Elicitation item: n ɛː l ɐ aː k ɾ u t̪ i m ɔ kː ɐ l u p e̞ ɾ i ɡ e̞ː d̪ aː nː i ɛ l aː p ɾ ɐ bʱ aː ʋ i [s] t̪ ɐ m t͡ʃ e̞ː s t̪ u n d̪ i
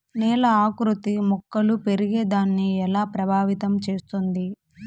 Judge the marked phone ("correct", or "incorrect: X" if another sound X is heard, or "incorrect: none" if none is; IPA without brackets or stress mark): incorrect: none